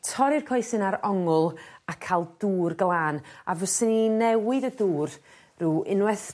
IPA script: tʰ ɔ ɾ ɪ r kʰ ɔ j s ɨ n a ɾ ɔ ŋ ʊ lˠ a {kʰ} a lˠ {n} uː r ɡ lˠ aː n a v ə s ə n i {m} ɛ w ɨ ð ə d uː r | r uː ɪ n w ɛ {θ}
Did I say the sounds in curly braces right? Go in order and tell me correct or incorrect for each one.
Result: correct, incorrect, incorrect, correct

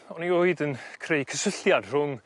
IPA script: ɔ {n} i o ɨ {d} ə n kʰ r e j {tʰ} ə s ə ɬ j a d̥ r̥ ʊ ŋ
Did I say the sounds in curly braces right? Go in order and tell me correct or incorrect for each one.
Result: correct, correct, incorrect

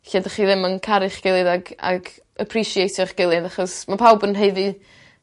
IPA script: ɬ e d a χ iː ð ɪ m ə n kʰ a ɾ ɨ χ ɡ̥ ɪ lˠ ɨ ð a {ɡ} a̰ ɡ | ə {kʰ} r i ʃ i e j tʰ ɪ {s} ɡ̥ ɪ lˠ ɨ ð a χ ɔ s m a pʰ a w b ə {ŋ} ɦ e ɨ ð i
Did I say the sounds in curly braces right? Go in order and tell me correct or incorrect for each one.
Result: correct, incorrect, incorrect, incorrect

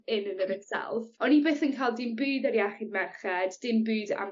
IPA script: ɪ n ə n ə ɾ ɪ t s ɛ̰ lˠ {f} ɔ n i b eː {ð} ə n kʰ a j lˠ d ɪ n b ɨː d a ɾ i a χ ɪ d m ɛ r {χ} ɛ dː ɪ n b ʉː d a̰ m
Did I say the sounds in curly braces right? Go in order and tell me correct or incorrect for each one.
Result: correct, incorrect, correct

